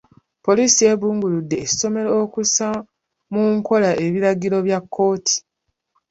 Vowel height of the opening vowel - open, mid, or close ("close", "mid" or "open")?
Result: mid